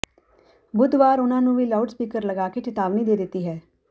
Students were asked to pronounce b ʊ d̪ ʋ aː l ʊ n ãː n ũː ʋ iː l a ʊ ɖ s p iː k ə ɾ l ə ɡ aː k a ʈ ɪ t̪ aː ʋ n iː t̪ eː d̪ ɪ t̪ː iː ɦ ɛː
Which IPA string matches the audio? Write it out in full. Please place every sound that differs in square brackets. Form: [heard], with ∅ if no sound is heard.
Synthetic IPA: b ʊ d̪ ʋ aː [ɾ] ʊ n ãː n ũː ʋ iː l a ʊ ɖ s p iː k ə ɾ l ə ɡ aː k [e] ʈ ɪ t̪ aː ʋ n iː [d̪] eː d̪ ɪ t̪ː iː ɦ ɛː